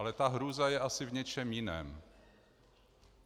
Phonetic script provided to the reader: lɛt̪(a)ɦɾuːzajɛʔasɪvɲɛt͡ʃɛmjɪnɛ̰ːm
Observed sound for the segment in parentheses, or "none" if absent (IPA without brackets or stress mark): a